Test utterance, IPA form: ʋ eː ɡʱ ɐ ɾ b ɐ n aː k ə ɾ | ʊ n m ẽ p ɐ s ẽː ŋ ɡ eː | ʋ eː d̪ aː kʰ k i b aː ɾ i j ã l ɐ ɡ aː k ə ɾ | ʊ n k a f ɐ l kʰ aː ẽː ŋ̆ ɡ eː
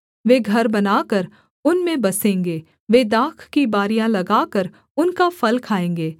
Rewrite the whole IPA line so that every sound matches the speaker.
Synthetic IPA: ʋ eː ɡʱ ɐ ɾ b ɐ n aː k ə ɾ | ʊ n m ẽ b ɐ s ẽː ŋ ɡ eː | ʋ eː d̪ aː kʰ k i b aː ɾ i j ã l ɐ ɡ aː k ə ɾ | ʊ n k a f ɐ l kʰ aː ẽː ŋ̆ ɡ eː